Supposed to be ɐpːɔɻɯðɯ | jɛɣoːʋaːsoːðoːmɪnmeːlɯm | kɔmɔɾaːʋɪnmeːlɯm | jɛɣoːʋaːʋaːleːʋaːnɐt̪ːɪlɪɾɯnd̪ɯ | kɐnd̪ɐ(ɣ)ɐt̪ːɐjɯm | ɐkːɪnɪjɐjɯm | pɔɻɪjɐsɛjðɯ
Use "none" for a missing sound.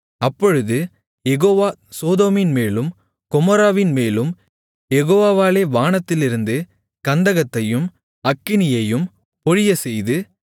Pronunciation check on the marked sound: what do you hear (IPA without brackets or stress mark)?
ɣ